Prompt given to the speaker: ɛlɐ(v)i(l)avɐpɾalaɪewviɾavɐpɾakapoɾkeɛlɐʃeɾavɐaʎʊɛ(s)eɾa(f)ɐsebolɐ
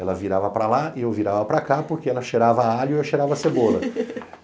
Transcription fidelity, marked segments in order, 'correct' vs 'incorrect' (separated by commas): correct, incorrect, incorrect, incorrect